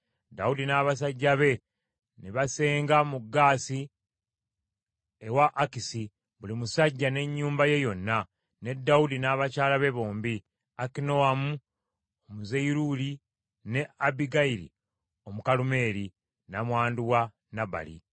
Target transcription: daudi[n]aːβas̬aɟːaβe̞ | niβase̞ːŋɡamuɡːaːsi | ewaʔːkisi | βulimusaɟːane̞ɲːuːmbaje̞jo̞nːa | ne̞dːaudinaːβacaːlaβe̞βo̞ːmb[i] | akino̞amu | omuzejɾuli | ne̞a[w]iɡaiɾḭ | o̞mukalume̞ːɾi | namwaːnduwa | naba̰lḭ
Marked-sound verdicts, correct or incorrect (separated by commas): correct, correct, incorrect